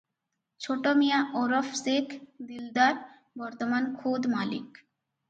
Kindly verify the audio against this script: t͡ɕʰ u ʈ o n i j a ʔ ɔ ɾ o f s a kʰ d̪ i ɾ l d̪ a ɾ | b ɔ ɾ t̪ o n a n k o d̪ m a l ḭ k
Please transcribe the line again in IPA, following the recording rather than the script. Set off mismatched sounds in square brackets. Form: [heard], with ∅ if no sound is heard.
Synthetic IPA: t͡ɕʰ [o] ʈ o [m] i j a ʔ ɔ ɾ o f s [e] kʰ d̪ i [∅] l d̪ a ɾ | b ɔ ɾ t̪ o [m] a n [kʰ] o d̪ m a l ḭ k